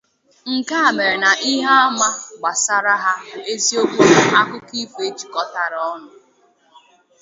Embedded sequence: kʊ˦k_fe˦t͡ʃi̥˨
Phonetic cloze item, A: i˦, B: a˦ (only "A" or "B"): A